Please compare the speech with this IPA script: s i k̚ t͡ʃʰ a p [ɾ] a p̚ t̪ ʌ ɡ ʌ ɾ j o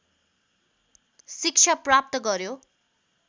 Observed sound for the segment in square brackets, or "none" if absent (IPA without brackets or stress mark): r